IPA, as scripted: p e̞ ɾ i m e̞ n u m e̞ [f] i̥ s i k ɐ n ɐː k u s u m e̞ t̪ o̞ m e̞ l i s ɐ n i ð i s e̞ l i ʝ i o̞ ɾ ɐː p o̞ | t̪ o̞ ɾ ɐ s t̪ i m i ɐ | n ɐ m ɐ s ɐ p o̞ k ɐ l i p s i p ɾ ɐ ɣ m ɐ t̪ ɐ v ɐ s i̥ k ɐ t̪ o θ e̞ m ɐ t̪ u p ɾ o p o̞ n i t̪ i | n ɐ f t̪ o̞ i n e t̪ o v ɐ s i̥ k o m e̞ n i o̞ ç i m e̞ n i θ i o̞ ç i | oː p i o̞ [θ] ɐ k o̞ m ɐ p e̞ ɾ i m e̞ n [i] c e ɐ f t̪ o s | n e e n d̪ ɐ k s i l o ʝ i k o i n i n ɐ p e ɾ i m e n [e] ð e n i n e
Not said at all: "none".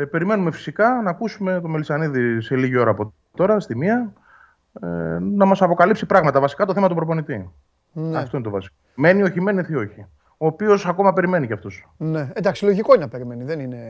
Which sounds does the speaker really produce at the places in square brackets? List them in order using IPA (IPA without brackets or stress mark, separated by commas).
f, s, i, i